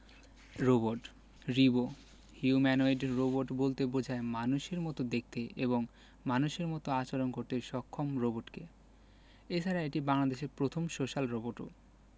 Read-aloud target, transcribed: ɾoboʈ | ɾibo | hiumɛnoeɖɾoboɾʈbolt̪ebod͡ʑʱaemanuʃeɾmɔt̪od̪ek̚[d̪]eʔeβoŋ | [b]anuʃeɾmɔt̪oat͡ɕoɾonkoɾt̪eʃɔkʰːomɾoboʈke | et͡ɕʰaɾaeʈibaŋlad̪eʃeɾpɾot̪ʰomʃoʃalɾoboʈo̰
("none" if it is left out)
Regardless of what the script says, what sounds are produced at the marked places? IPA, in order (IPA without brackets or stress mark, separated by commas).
t̪, m